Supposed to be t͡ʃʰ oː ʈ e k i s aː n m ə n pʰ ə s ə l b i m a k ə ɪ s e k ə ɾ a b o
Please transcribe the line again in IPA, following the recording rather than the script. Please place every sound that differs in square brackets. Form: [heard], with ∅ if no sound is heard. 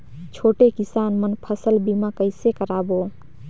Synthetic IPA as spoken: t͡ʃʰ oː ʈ e k i s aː n m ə n pʰ ə s ə l b i m a k ə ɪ s e k ə ɾ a b o